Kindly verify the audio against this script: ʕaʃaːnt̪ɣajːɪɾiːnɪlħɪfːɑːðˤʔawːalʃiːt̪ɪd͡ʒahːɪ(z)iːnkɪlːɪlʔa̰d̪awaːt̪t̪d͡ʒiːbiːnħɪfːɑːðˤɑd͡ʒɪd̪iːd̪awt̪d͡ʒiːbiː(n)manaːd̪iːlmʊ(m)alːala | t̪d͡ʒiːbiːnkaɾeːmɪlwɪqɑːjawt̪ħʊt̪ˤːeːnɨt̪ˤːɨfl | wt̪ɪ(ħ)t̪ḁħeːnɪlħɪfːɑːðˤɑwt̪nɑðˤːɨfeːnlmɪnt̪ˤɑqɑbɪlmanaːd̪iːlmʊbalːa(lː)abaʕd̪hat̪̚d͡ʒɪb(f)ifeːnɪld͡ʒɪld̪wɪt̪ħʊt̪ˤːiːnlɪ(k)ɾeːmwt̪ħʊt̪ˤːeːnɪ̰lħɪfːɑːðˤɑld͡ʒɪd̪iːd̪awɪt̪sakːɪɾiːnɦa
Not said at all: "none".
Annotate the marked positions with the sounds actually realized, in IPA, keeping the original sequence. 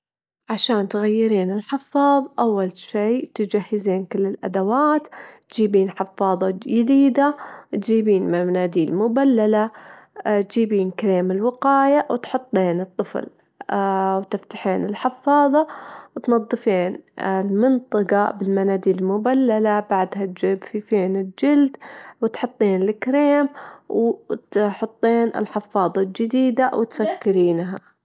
z, n, b, f, l, f, k

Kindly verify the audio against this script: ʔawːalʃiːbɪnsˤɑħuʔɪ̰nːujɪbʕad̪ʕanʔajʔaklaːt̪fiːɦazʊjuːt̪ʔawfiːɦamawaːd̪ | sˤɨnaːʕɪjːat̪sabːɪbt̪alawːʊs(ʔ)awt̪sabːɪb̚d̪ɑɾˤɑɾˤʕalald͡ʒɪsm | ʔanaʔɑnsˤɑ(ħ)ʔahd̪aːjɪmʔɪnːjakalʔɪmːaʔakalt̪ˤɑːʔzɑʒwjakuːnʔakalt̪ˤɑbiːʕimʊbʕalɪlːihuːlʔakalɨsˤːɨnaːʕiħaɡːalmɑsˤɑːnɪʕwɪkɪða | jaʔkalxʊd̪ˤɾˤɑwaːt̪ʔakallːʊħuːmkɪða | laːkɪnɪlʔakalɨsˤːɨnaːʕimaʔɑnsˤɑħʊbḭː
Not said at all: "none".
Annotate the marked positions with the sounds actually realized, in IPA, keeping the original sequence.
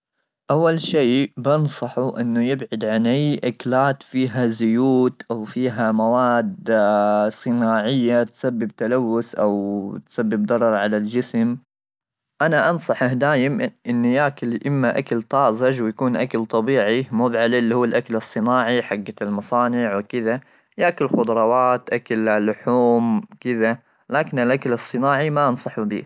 ʔ, ħ

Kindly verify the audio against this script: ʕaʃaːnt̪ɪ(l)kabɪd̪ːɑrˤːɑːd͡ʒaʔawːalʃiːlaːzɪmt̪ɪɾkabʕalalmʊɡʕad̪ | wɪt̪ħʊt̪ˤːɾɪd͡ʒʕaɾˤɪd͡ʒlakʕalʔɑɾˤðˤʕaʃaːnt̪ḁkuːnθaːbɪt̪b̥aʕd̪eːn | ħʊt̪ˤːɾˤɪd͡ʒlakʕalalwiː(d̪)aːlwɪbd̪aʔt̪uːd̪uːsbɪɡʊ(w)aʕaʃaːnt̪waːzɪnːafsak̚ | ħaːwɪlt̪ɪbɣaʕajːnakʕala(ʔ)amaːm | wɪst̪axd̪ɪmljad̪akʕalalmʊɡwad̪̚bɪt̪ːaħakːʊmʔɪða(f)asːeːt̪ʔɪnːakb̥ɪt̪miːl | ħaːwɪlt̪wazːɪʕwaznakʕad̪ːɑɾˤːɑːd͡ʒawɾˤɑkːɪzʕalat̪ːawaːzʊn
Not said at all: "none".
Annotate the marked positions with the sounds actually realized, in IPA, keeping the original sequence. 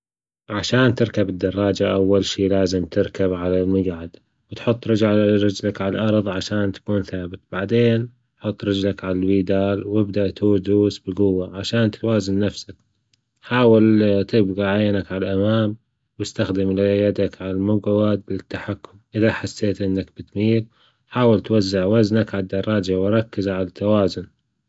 ɾ, d̪, wː, ʔ, ħ

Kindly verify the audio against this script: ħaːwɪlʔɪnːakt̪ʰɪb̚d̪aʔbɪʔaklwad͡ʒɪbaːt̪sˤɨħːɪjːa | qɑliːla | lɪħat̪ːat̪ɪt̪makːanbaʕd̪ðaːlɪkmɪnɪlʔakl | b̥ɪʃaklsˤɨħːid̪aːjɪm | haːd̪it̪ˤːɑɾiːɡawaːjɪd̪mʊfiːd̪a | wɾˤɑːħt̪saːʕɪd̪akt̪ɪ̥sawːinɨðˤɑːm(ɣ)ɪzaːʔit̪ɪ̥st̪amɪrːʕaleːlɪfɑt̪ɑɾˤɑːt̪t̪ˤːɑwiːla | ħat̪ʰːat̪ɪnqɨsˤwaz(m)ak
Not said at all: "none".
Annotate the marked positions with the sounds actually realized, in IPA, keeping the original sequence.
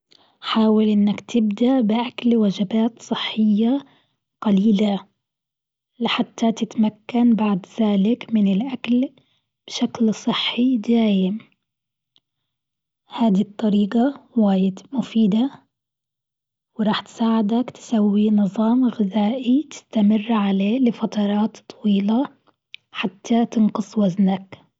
ɣ, n

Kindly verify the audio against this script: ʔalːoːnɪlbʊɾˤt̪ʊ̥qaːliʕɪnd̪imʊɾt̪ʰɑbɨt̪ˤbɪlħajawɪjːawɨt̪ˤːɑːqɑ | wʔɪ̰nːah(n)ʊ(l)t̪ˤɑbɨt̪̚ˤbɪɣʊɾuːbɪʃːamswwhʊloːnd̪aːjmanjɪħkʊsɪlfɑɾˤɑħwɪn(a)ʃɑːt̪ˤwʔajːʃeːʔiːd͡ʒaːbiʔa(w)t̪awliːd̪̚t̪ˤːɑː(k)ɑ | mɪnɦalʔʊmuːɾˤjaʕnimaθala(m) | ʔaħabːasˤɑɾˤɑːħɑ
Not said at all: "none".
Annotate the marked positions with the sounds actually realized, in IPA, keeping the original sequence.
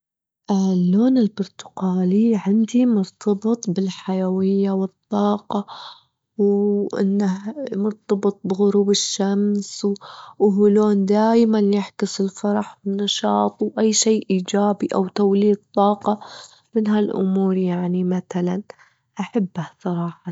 m, ɾ, ɑ, w, q, n

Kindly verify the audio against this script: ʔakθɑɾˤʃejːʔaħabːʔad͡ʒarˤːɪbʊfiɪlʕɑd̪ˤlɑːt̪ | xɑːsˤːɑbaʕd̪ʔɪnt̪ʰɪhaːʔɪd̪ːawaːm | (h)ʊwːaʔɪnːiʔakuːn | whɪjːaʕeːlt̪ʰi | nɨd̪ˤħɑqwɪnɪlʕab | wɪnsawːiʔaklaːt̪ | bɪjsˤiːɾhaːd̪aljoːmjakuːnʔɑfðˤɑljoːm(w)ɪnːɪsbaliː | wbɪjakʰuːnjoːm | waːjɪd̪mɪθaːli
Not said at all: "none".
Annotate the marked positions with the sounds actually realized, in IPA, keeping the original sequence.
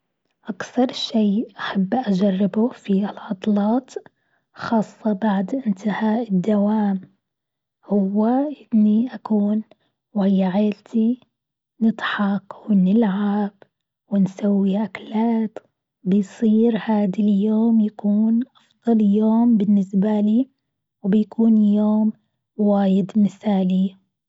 h, b

